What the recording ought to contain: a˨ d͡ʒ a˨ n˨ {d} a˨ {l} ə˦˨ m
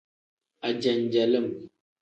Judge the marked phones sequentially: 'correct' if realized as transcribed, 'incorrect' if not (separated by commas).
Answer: incorrect, correct